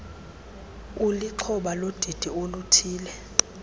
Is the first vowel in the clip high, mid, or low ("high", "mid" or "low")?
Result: high